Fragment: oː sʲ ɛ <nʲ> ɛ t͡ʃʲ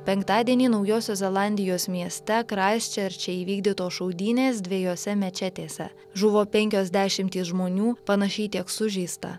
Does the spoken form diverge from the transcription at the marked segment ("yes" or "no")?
yes